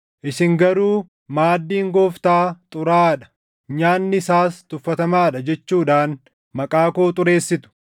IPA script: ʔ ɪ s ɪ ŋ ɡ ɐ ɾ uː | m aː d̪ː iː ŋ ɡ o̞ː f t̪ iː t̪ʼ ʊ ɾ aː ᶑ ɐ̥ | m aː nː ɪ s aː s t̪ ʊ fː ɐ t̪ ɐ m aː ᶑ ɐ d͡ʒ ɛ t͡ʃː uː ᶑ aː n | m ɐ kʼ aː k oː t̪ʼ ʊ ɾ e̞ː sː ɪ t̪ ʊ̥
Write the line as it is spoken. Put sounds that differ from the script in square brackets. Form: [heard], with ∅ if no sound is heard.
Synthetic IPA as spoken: ʔ ɪ s ɪ ŋ ɡ ɐ ɾ uː | m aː d̪ː iː ŋ ɡ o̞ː f t̪ [aː] t̪ʼ ʊ ɾ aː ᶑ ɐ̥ | [ɲ] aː nː ɪ s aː s t̪ ʊ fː ɐ t̪ ɐ m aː ᶑ ɐ d͡ʒ ɛ t͡ʃː uː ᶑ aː n | m ɐ kʼ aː k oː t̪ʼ ʊ ɾ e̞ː sː ɪ t̪ ʊ̥